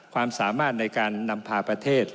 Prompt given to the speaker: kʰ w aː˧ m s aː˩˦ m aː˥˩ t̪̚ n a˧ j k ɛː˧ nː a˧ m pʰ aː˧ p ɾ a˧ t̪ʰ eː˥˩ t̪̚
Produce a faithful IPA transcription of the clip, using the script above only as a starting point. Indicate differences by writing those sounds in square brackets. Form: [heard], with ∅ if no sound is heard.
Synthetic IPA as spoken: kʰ w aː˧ m s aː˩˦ m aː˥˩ t̪̚ n a˧ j k [aː˧] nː a˧ m pʰ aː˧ p ɾ a˧ t̪ʰ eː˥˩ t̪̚

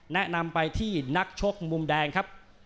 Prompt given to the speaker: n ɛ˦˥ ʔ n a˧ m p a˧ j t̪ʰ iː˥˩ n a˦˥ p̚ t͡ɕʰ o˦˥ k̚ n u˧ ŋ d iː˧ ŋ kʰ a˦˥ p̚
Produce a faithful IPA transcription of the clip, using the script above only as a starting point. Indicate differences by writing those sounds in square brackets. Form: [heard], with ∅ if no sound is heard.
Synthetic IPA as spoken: n ɛ˦˥ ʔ n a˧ m p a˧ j t̪ʰ iː˥˩ n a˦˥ [k̚] t͡ɕʰ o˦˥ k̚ [m] u˧ [m] d [ɛː˧] ŋ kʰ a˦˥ p̚

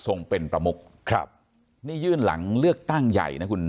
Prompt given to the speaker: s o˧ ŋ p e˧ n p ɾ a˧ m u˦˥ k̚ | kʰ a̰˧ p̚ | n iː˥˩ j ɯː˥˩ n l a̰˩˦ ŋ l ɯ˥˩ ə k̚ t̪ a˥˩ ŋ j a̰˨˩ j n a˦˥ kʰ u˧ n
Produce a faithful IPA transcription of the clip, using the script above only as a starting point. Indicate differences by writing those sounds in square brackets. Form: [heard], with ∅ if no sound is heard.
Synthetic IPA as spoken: s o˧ ŋ p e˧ n p ɾ a˧ m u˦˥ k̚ | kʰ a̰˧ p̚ | n iː˥˩ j ɯː˥˩ n l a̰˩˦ ŋ l ɯ˥˩ ə k̚ t̪ a˥˩ ŋ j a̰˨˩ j n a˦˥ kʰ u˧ n

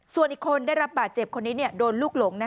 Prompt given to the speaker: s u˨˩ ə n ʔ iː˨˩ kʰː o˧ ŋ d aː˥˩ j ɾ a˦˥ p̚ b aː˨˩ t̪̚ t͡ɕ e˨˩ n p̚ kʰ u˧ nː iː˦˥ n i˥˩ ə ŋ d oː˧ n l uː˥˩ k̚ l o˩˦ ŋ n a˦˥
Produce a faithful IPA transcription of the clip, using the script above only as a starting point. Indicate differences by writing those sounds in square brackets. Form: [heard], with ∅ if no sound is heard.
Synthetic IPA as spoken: s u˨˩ ə n ʔ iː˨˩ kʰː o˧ [n] d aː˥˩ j ɾ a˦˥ p̚ b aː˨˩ t̪̚ t͡ɕ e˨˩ [∅] p̚ kʰ [o˧] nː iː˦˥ n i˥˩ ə [∅] d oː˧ n l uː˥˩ k̚ l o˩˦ ŋ n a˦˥

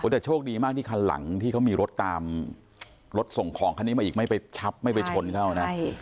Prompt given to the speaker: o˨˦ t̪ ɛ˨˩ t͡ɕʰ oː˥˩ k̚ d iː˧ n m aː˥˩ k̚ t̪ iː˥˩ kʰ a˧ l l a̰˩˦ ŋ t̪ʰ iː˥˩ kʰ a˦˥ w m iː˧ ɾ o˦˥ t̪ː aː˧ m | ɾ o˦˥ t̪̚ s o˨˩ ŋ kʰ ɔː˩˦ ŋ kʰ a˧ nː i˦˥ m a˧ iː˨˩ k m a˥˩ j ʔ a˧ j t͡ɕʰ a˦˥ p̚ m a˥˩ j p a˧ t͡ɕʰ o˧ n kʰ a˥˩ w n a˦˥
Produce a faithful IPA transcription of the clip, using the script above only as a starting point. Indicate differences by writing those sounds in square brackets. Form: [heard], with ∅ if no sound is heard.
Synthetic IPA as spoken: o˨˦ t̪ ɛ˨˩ t͡ɕʰ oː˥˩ k̚ d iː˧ [∅] m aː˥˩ k̚ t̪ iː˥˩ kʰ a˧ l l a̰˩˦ ŋ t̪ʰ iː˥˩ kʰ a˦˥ w m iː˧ ɾ o˦˥ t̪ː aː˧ m | ɾ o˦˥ t̪̚ s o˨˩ ŋ kʰ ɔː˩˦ ŋ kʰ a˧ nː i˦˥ m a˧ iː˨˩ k m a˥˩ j [p] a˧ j t͡ɕʰ a˦˥ p̚ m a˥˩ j p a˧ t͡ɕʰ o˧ n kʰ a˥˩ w n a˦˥

